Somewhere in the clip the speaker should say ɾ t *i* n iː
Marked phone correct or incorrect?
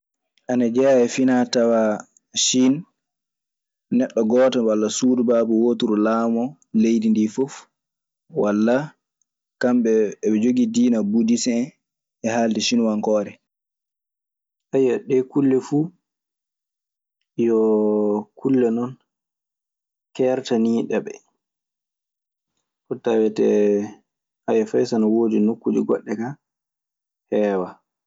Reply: incorrect